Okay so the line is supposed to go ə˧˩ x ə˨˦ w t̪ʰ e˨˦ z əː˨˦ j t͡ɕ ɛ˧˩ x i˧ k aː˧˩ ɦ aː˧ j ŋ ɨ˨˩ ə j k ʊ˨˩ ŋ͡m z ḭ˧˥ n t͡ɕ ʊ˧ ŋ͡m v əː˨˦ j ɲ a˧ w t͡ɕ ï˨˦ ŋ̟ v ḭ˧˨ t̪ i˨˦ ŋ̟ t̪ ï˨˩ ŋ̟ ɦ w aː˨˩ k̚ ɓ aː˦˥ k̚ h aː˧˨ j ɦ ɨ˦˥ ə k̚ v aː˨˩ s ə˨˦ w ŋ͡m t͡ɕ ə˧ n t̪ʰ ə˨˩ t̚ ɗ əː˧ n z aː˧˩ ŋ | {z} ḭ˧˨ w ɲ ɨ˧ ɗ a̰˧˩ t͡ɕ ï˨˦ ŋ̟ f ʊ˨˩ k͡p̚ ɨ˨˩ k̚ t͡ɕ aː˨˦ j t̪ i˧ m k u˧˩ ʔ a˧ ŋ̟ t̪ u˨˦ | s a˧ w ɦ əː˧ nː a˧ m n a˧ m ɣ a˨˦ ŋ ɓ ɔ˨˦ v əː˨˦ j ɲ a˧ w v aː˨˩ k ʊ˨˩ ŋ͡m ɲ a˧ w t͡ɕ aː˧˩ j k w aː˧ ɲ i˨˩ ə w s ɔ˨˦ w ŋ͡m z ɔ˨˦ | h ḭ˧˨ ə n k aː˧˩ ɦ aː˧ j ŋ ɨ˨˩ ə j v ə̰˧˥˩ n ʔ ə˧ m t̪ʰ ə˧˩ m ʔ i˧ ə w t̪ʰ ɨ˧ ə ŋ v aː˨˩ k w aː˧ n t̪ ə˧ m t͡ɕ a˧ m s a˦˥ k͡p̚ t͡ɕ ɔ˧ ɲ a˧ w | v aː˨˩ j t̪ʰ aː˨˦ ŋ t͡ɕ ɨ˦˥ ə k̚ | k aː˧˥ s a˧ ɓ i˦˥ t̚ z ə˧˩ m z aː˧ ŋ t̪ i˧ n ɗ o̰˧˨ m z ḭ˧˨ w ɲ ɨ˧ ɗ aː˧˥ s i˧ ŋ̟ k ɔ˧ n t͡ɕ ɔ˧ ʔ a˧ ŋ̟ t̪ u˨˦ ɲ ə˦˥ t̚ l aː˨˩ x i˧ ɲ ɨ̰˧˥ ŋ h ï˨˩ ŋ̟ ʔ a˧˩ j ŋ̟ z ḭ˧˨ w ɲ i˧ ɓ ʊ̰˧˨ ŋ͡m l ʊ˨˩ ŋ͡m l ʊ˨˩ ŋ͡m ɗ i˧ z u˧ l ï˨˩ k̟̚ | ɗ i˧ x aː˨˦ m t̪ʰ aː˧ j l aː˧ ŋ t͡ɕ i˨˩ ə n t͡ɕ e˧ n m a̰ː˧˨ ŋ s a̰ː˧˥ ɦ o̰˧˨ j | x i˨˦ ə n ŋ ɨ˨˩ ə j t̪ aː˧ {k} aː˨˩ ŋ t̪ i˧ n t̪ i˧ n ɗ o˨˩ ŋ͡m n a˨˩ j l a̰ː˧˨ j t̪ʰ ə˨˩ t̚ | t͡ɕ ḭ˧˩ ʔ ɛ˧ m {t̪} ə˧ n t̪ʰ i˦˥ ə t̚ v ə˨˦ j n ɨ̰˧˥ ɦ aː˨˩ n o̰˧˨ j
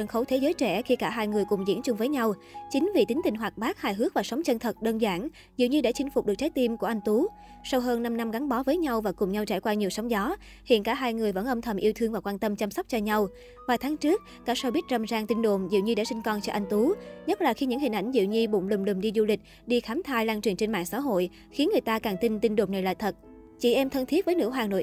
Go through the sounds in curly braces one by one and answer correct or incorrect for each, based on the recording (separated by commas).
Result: correct, correct, incorrect